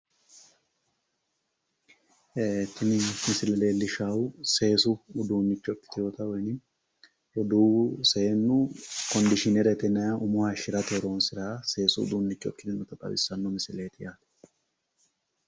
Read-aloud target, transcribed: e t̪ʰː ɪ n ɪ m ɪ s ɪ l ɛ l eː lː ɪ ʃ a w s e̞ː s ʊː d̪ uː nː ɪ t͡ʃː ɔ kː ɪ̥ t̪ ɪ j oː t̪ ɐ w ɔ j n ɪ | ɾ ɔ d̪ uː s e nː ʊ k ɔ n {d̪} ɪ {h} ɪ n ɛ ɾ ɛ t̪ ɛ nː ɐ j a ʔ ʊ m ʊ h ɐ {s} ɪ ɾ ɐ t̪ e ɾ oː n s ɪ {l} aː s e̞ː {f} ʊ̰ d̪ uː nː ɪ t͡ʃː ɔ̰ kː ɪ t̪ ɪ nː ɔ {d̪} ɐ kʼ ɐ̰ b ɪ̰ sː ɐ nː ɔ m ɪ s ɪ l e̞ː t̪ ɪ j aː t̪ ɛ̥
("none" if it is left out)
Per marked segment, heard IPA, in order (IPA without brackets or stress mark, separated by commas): d̪, ʃ, ʃ, ɾ, s, t̪